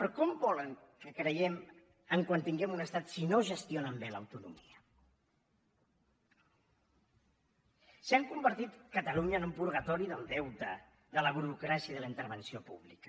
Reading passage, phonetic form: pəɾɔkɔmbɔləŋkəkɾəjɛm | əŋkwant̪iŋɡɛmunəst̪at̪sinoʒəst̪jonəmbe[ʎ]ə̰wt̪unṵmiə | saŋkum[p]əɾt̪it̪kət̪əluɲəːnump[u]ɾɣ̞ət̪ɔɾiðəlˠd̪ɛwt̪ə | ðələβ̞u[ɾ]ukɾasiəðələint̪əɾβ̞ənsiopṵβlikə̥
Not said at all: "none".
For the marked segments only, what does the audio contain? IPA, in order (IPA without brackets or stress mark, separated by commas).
l, b, u, ɾ